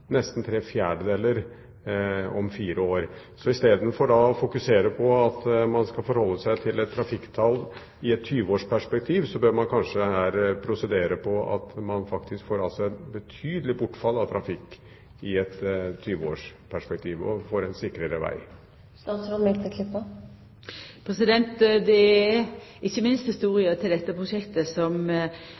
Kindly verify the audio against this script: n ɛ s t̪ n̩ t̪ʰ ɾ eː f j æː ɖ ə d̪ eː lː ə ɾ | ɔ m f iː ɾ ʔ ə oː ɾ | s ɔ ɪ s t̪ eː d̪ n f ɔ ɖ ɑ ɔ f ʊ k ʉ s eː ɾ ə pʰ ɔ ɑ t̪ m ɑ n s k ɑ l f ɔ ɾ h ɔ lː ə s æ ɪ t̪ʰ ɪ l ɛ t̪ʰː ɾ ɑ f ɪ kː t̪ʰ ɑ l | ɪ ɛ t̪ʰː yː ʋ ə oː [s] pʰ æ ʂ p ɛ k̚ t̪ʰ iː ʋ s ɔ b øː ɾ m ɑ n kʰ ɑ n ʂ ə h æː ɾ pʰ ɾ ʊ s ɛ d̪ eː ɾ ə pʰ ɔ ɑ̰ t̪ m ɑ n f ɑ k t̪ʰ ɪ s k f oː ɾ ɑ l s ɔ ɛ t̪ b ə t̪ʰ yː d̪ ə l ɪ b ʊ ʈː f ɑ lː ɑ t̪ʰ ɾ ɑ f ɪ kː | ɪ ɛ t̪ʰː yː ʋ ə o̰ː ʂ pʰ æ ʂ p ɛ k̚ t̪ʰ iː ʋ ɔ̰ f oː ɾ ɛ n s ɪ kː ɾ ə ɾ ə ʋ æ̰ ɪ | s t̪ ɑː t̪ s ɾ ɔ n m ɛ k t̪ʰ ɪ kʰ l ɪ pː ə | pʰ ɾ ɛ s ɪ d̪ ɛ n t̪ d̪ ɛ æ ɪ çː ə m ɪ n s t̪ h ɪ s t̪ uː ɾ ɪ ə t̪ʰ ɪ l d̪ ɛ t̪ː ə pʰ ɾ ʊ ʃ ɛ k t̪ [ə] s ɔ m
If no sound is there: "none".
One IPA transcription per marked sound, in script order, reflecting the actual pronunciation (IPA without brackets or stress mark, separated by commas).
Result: ʂ, ə